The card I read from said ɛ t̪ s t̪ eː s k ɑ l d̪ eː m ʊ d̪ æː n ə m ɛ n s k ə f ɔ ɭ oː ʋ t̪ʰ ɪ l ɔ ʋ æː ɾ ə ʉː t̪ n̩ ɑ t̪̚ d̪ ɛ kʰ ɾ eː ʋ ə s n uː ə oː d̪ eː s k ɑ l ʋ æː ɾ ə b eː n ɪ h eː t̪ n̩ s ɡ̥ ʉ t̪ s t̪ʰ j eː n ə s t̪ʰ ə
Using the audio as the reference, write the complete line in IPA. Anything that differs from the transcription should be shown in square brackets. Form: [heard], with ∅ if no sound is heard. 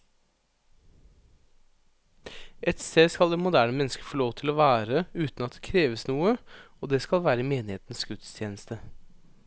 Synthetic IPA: ɛ t̪ s t̪ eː s k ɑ l d̪ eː m ʊ d̪ æː [ɳ] ə m ɛ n s k ə f ɔ ɭ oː ʋ t̪ʰ ɪ l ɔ ʋ æː ɾ ə ʉː t̪ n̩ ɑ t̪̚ d̪ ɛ kʰ ɾ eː ʋ ə s n uː ə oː d̪ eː s k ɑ l ʋ æː ɾ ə [m] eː n ɪ h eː t̪ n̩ s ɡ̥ ʉ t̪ s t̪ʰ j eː n ə s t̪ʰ ə